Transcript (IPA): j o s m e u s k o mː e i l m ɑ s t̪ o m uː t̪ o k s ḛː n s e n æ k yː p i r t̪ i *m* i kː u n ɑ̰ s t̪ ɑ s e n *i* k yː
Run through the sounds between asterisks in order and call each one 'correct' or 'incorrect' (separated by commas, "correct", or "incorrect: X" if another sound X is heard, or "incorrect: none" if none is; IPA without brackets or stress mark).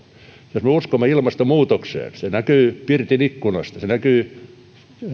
incorrect: n, incorrect: æ